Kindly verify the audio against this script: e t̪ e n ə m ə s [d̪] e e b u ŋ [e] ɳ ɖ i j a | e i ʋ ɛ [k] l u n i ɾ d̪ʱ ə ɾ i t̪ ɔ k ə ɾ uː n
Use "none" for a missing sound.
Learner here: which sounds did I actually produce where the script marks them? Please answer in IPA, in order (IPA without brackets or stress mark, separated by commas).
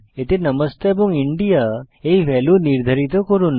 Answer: t̪, i, none